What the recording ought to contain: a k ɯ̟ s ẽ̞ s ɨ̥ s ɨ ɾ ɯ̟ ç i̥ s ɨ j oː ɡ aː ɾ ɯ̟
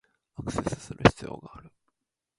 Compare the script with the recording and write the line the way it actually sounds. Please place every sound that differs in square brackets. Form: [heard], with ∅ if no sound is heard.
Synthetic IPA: a k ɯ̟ s [e̞] s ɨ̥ s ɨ ɾ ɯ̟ ç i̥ [t͡s] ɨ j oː ɡ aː ɾ ɯ̟